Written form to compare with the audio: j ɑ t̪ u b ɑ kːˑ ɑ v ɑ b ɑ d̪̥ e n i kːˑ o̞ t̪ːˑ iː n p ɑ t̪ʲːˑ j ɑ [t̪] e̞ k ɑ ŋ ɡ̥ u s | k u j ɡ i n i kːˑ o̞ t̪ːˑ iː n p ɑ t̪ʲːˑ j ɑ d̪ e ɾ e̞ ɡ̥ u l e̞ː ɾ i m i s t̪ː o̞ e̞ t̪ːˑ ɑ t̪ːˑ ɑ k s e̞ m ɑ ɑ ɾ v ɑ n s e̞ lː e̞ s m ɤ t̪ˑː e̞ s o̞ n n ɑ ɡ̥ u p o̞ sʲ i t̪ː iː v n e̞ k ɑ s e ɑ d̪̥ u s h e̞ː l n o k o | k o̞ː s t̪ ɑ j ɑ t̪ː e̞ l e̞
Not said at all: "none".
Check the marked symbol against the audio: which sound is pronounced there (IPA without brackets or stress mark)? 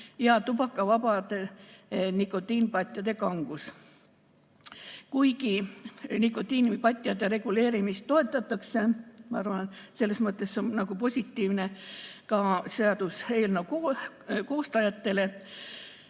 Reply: d̪